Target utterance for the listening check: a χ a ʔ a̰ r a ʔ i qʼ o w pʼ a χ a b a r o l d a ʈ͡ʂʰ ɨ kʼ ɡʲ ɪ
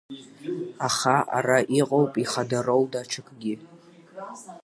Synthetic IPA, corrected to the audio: a χ a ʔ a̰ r a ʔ i qʼ o w pʼ i χ a d a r o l d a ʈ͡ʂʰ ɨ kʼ ɡʲ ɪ